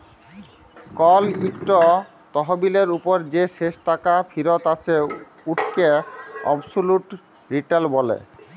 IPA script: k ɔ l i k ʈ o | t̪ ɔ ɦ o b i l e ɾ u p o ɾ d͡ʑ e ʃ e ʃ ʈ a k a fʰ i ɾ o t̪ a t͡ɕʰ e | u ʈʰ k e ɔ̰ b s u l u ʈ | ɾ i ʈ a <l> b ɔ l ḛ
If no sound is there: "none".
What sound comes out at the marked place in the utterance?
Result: l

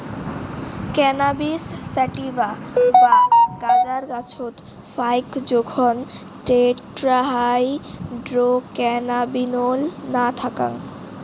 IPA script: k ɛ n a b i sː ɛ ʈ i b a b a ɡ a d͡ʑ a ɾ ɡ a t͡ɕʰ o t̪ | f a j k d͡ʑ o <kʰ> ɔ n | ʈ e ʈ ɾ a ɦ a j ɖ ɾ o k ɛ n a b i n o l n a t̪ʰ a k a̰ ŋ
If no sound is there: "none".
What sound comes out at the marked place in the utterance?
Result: kʰ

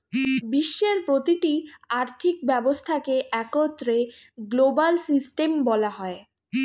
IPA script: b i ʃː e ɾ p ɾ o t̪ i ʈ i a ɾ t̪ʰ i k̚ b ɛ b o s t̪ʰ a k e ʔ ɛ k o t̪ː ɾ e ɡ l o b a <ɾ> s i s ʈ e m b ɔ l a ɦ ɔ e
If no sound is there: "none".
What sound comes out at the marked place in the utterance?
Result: l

